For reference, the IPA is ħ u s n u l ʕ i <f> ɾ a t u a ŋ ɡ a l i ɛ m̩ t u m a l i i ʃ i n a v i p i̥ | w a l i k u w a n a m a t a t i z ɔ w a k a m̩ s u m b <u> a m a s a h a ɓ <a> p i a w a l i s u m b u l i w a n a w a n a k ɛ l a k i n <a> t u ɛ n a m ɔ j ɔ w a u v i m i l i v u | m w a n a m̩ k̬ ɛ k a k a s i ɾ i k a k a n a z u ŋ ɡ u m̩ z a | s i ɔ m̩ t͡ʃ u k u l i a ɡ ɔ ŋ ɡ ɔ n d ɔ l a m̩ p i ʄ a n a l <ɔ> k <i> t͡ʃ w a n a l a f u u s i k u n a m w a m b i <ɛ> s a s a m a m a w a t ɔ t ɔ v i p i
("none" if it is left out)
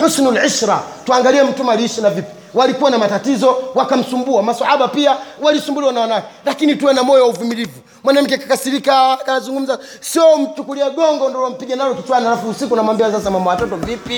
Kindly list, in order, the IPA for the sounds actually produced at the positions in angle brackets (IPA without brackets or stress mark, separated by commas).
ʃ, u, a, i, ɔ, i, a